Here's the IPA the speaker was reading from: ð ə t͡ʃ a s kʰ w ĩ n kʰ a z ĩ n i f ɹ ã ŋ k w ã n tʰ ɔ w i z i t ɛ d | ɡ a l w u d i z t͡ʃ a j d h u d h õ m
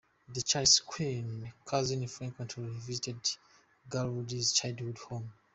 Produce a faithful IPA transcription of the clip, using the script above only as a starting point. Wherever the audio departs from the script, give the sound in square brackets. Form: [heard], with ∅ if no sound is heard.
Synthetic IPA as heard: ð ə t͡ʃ a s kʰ w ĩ n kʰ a z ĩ n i f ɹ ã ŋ k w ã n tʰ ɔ [v] i z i t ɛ d | ɡ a l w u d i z t͡ʃ a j d h u d h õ m

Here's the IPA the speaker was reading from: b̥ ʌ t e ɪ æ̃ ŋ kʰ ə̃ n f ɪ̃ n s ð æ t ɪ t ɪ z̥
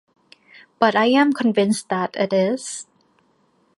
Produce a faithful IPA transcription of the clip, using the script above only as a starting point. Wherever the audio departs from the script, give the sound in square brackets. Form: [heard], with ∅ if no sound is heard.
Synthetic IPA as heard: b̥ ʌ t [a] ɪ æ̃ [m] kʰ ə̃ n [v] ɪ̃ n s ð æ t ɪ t ɪ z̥

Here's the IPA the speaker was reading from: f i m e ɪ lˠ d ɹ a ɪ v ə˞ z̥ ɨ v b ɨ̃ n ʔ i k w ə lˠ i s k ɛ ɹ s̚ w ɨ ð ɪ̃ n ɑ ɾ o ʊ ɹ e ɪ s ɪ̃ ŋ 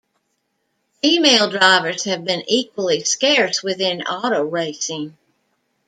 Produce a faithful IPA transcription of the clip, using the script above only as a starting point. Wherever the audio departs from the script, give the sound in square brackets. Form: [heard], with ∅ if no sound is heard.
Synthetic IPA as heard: f i m e ɪ lˠ d ɹ a ɪ v ə˞ z̥ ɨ v b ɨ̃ n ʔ i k w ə lˠ i s k ɛ ɹ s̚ w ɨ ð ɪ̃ n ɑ ɾ o ʊ ɹ e ɪ s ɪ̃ ŋ

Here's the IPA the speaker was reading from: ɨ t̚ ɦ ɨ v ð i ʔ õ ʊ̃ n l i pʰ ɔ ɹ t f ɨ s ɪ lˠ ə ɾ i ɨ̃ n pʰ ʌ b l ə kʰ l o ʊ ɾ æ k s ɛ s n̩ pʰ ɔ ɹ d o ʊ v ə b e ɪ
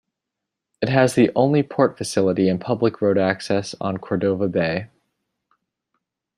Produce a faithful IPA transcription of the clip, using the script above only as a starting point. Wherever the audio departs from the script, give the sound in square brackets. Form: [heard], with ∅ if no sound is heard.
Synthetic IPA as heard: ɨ t̚ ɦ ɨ [z] ð i ʔ õ ʊ̃ n l i pʰ ɔ ɹ t f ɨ s ɪ lˠ ə ɾ i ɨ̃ n pʰ ʌ b l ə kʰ [ɹ] o ʊ ɾ æ k s ɛ s n̩ [kʰ] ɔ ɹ d o ʊ v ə b e ɪ

